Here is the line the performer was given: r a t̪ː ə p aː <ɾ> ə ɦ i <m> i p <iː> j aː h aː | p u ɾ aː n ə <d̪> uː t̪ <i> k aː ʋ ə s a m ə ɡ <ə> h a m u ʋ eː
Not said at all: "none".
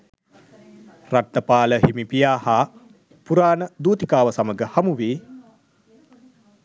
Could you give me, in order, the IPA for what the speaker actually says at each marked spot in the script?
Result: l, m, i, d̪, i, ə

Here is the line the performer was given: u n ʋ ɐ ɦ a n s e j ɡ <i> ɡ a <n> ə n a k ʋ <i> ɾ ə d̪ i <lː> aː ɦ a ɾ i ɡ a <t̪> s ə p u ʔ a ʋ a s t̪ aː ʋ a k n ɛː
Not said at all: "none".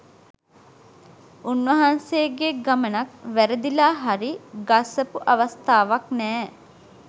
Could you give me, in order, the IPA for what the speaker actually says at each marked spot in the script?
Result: e, m, æ, l, none

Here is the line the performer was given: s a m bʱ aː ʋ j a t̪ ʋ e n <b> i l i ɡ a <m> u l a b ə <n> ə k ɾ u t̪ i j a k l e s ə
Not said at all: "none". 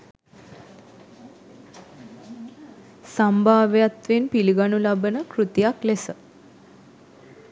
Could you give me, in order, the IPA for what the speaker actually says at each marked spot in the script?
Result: p, n, n

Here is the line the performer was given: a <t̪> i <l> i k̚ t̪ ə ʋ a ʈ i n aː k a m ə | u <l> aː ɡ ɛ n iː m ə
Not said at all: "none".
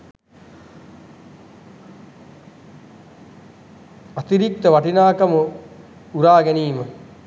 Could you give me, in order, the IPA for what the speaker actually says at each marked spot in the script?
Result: t̪, ɾ, ɾ

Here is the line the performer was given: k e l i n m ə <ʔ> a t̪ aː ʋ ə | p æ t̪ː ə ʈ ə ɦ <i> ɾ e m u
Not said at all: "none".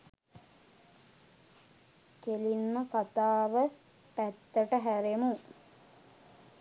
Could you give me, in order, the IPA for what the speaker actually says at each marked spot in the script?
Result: k, æ

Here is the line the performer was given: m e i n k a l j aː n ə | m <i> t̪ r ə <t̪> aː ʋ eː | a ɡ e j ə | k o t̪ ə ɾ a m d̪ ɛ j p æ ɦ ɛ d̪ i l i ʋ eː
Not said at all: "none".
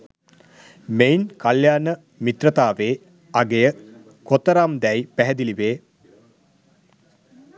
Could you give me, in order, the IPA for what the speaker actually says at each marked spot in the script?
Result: i, t̪

